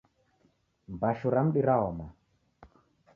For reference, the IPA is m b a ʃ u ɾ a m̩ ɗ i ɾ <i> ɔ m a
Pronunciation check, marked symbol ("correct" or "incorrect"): incorrect